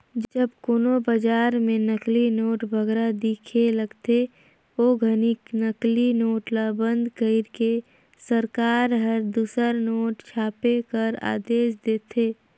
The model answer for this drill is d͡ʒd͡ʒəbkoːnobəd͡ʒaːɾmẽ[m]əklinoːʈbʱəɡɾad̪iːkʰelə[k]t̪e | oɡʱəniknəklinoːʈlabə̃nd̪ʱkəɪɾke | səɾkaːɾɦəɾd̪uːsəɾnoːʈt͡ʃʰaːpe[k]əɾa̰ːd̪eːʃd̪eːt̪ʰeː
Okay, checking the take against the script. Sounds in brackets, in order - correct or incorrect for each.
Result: incorrect: n, incorrect: ɡ, correct

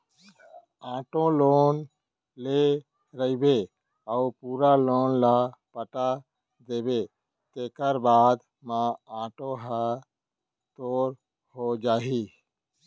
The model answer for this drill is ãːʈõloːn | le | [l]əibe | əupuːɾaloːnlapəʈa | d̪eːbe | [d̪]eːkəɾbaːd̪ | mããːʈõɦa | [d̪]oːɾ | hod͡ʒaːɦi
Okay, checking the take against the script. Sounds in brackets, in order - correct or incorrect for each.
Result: incorrect: ɾ, incorrect: t̪, incorrect: t̪

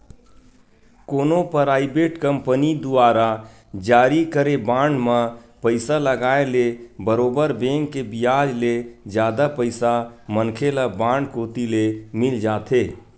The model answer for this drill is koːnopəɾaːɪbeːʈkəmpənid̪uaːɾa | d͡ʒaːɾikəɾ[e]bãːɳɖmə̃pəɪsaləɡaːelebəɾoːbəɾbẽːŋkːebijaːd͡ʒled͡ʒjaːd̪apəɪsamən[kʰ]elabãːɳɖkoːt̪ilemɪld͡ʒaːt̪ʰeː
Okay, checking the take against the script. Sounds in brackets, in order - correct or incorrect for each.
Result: correct, correct

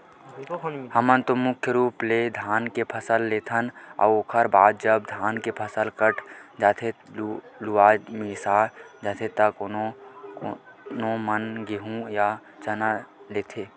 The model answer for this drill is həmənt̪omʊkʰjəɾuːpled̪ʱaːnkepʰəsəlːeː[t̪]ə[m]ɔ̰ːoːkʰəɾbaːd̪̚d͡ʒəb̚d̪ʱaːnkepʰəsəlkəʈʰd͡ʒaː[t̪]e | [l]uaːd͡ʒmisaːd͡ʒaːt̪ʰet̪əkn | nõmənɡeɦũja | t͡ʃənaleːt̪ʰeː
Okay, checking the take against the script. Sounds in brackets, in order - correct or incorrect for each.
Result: incorrect: t̪ʰ, incorrect: n, incorrect: t̪ʰ, correct

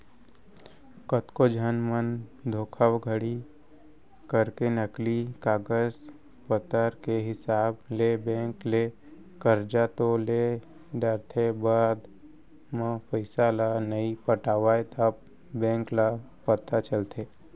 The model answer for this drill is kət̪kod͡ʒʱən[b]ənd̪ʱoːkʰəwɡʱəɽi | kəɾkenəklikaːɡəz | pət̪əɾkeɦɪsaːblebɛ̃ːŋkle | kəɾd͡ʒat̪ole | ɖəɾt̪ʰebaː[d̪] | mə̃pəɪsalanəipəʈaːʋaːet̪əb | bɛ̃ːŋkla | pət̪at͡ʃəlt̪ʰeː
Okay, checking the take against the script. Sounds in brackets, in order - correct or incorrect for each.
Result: incorrect: m, correct

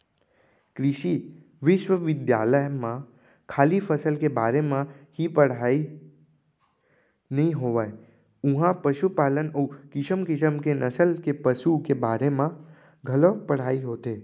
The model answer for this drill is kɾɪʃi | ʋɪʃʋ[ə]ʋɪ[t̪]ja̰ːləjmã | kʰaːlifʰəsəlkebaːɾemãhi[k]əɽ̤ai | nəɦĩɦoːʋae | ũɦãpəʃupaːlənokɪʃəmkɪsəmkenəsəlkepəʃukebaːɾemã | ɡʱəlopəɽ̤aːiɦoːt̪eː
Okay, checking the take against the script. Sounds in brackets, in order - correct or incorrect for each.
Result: correct, incorrect: d̪, incorrect: p

